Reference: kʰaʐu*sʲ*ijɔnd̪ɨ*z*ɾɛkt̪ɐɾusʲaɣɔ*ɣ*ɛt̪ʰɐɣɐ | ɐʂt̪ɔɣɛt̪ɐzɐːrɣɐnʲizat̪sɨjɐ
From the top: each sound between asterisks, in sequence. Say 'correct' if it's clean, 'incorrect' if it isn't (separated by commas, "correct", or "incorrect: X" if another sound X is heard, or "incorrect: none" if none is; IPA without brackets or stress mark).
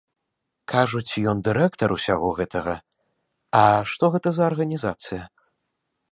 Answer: incorrect: t͡sʲ, incorrect: none, correct